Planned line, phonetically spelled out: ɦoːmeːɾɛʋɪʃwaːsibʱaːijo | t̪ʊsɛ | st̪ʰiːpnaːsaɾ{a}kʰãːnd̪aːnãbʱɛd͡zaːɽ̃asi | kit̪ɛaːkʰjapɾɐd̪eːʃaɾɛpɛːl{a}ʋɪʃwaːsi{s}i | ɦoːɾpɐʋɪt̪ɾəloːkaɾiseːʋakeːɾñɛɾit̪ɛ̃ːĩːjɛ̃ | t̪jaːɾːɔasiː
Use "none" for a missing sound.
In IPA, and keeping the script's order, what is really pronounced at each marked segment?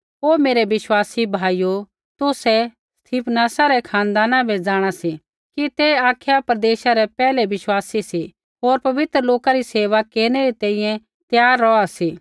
ɛ, ɛ, s

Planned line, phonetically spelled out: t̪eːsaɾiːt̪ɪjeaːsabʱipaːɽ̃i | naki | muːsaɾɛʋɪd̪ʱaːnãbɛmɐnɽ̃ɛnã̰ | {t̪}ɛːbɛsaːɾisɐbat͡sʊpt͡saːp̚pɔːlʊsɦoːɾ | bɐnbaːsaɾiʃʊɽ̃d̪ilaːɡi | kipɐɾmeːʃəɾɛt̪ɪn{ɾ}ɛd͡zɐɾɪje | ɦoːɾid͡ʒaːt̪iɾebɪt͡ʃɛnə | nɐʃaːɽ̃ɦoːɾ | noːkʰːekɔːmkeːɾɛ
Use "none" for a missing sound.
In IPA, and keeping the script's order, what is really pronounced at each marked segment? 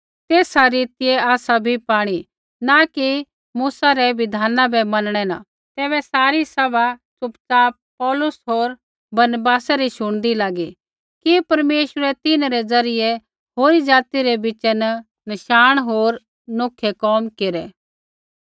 t̪, ɾ

